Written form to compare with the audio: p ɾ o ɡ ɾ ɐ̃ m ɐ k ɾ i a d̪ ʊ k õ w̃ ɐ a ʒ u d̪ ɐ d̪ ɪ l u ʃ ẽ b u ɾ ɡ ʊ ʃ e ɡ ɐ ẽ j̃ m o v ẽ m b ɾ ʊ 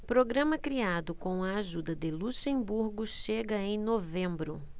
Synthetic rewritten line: p ɾ o ɡ ɾ ɐ̃ m ɐ k ɾ i a d̪ ʊ k õ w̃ ɐ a ʒ u d̪ ɐ d̪ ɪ l u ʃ ẽ b u ɾ ɡ ʊ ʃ e ɡ ɐ ẽ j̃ n o v ẽ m b ɾ ʊ